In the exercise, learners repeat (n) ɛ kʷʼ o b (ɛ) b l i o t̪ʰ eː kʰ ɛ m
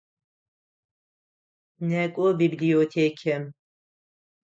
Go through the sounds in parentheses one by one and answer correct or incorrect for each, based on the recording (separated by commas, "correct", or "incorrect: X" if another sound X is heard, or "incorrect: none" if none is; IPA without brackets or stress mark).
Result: correct, incorrect: i